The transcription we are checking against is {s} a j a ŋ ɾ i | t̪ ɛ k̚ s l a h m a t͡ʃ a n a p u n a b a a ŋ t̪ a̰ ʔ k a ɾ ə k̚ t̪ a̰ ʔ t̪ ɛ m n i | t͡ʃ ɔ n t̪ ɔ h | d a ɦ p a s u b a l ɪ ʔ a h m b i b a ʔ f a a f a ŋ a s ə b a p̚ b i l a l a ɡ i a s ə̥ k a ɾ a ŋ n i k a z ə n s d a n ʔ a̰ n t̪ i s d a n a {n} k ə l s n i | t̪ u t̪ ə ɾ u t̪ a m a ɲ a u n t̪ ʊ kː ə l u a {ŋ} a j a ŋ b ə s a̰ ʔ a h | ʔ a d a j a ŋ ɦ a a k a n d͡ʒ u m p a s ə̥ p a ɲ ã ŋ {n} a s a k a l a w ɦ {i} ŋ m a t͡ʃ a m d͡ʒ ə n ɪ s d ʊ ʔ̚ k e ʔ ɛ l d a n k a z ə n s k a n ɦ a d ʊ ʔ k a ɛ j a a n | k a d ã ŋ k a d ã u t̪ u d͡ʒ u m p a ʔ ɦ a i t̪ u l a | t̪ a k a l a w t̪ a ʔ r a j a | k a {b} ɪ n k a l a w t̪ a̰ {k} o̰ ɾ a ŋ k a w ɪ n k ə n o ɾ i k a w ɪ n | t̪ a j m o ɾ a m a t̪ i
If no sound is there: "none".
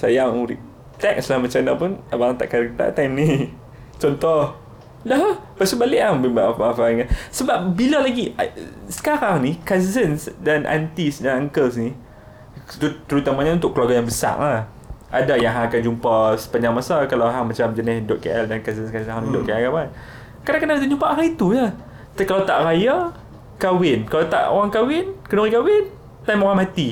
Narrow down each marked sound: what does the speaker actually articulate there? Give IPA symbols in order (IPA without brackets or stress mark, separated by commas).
s, ŋ, ɡ, m, a, w, ʔ